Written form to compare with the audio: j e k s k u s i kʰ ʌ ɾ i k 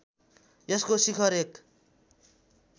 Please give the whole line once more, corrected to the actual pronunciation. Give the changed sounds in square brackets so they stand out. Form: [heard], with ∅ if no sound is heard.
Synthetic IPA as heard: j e [∅] s k [o] s i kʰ ʌ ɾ [e] k